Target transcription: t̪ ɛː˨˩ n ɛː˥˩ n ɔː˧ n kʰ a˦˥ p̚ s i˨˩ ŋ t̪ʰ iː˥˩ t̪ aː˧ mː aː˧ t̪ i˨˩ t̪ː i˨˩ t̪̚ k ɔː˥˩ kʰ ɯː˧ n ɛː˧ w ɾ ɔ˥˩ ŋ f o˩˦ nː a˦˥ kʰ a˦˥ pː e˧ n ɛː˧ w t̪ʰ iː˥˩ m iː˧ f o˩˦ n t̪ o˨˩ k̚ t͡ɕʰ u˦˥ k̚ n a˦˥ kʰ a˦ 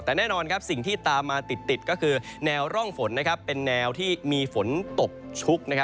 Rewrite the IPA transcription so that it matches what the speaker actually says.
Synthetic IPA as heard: t̪ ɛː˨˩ n ɛː˥˩ n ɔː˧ n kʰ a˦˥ p̚ s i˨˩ ŋ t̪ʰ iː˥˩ t̪ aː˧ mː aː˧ t̪ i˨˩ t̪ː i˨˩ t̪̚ k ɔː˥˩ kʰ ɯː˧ n ɛː˧ w ɾ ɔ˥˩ ŋ f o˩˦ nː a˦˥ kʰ a˦˥ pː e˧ nː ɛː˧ w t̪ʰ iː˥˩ m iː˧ f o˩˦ n t̪ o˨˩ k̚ t͡ɕʰ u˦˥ k̚ n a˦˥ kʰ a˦